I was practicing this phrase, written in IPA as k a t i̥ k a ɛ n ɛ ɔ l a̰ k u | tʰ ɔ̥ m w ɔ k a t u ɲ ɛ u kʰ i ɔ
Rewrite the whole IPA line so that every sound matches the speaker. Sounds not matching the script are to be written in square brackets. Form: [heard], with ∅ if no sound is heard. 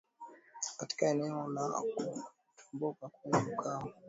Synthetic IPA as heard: k a t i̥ k a ɛ n ɛ ɔ l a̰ k u | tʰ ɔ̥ m [b] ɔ k a [k] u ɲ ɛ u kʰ [a] ɔ